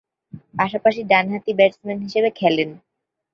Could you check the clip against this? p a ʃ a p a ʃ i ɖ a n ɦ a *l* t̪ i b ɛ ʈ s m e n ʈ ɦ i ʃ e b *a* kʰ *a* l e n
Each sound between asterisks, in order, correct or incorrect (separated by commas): incorrect, incorrect, incorrect